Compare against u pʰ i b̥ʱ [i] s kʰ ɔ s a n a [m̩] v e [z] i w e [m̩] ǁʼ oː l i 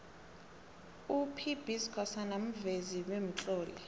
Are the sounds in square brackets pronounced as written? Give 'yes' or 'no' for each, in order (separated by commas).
yes, yes, yes, yes